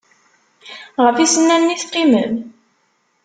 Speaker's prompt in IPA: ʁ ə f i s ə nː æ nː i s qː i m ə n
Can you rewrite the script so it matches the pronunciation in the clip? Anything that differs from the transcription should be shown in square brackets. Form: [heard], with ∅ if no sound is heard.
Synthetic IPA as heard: ʁ ə f i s ə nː æ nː i [θ] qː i m ə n